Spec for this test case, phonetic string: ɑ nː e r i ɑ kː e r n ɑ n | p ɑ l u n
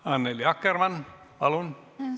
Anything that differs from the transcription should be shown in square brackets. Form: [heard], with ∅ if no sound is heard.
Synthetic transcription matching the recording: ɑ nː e [l] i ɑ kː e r [m] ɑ n | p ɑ l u n